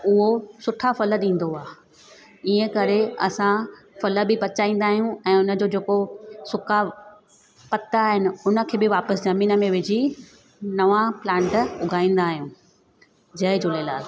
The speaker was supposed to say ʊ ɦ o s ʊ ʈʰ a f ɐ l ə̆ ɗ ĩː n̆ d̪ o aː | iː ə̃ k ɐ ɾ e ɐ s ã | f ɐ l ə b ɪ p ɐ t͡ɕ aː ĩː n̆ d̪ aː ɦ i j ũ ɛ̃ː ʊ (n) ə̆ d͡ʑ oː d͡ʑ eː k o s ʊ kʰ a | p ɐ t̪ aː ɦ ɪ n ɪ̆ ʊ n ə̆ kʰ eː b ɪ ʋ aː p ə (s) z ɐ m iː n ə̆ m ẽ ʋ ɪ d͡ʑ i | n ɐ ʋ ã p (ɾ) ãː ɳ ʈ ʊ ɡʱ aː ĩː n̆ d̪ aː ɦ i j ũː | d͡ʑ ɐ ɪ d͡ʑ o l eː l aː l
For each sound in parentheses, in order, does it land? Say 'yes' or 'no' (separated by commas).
yes, yes, no